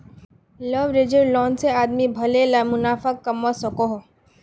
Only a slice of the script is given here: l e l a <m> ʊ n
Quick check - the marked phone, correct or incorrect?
correct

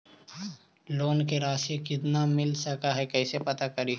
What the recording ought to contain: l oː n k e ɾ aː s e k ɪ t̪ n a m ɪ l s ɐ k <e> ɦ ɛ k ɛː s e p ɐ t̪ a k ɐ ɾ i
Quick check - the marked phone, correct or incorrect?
incorrect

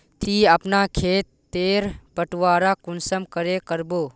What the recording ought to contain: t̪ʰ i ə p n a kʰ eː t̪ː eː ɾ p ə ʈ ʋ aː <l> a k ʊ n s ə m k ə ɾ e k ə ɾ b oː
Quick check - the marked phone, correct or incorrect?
incorrect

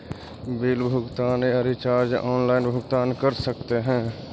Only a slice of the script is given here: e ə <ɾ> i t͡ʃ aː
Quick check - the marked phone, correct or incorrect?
correct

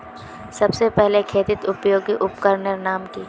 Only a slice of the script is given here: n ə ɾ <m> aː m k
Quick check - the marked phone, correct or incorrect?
incorrect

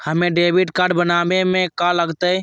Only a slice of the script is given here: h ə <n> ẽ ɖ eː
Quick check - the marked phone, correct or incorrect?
incorrect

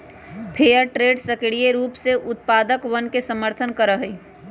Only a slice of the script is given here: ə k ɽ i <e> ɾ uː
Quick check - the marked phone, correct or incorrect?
correct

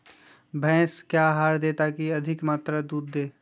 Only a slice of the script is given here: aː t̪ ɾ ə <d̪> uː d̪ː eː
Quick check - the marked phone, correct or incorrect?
correct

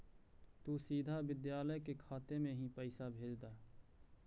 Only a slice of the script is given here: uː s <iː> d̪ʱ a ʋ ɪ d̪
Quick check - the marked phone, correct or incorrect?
correct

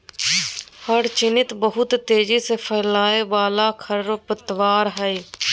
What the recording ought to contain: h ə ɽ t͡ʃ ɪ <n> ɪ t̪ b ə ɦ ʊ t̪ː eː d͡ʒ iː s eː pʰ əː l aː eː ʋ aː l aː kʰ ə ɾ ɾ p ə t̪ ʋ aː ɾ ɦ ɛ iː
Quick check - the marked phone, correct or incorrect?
correct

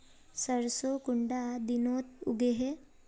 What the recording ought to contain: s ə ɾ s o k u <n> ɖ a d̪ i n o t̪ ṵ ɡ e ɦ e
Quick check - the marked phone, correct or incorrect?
incorrect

